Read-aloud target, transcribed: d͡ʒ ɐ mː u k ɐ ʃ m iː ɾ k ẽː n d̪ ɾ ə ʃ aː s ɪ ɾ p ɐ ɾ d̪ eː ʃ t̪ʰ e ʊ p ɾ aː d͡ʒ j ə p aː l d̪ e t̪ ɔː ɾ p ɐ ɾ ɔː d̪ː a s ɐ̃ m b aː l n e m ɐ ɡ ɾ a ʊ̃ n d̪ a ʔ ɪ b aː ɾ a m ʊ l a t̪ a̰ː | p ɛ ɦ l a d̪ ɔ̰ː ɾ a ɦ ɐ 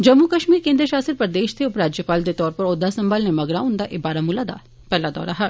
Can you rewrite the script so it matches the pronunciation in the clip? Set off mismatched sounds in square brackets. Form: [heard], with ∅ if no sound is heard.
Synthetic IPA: d͡ʒ ɐ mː u k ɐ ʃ m iː ɾ k ẽː n d̪ ɾ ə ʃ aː s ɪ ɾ p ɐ ɾ d̪ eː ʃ t̪ʰ e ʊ p ɾ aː d͡ʒ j ə p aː l d̪ e t̪ ɔː ɾ p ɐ ɾ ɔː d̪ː a s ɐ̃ m b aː l n e m ɐ ɡ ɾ a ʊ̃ n d̪ a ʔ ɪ b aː ɾ a m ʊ l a [d̪] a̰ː | p ɛ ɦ l a d̪ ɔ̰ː ɾ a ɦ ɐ